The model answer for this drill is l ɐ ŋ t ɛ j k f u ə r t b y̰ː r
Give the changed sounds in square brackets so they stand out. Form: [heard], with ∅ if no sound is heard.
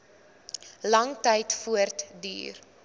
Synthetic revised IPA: l ɐ ŋ t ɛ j [t] f u ə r t [d] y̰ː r

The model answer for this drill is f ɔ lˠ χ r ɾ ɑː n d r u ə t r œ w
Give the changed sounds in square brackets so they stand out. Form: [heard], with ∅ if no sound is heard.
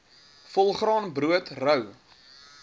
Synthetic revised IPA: f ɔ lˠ χ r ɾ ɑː n [b] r u ə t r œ w

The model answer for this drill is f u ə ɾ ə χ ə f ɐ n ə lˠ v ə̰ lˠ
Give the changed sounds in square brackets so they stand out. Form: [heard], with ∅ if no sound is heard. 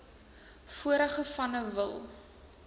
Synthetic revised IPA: f u ə ɾ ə χ ə f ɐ n ə [∅] v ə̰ lˠ

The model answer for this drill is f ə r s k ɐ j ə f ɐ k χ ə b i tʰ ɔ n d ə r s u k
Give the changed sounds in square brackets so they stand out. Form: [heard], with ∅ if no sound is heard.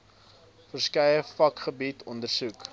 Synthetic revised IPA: f ə r s k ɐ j ə f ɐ k χ ə b i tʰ ɔ n d ə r s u k

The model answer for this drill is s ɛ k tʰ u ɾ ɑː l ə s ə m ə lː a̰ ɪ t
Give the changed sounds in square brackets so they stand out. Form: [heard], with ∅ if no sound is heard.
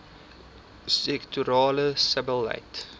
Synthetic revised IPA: s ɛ k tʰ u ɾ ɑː l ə s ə [b] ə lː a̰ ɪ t

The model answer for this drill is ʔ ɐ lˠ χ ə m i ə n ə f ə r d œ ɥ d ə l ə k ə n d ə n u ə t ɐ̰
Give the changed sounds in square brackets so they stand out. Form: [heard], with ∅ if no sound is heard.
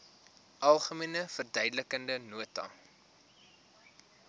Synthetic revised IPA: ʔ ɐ lˠ χ ə m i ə n ə f ə r d œ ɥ d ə l ə k ə n d ə n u ə t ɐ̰

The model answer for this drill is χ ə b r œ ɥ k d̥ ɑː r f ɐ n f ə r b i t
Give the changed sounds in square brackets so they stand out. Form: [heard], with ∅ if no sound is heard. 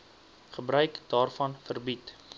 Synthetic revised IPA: χ ə b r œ ɥ k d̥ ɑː r f ɐ n f ə r b i t

